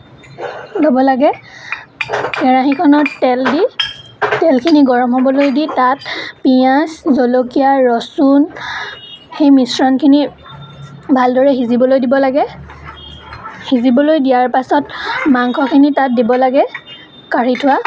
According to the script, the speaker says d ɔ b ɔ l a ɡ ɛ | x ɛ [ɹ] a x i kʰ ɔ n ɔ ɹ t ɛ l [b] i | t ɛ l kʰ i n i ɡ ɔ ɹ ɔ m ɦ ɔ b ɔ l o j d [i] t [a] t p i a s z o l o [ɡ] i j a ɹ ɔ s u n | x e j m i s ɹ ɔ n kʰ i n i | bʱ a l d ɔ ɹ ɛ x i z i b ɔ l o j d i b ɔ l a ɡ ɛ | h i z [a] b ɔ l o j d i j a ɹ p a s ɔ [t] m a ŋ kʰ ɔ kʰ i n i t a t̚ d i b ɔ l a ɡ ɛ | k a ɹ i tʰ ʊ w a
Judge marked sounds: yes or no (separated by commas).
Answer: yes, no, yes, yes, no, no, yes